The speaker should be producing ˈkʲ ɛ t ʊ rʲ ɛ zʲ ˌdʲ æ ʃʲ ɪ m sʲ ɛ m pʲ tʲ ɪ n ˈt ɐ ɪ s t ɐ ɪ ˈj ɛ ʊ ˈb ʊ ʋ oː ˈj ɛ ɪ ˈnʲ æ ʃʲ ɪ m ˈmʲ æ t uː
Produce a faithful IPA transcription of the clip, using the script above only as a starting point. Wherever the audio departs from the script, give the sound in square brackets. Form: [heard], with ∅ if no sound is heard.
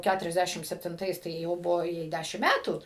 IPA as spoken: ˈkʲ [æ] t ʊ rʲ ɛ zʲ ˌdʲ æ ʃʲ ɪ m sʲ ɛ [∅] pʲ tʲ ɪ n ˈt ɐ ɪ s t ɐ ɪ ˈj ɛ ʊ ˈb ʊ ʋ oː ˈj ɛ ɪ [ˈdʲ] æ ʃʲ ɪ m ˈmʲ æ t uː